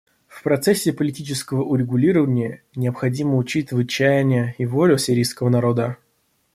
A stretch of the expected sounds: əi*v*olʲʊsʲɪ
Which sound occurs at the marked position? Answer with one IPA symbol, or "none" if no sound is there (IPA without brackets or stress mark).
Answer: v